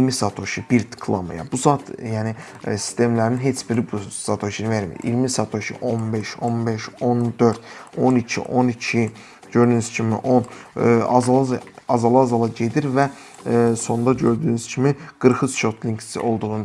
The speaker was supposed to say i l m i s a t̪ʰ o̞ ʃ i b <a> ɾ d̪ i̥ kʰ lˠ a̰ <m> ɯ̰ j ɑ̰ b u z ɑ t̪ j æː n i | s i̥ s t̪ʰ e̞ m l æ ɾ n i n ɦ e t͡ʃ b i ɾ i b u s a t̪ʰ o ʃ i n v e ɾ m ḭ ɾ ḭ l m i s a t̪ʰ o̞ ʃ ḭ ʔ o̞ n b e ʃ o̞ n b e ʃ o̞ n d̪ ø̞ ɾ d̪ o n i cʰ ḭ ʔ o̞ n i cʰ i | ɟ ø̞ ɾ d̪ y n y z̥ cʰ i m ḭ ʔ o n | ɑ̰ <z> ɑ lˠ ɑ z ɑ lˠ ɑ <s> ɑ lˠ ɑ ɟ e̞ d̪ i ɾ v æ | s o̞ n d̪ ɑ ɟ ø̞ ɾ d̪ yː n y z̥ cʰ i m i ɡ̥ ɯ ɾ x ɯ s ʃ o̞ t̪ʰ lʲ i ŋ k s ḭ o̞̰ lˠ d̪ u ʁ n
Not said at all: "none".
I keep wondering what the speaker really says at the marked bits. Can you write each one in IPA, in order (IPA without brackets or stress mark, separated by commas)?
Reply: i, m, z, z